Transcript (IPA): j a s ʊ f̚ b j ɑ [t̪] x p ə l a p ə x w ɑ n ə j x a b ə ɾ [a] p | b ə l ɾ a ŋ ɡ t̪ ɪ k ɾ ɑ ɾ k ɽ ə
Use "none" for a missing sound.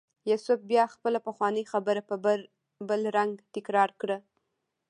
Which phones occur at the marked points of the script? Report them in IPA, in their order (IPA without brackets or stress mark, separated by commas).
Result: none, a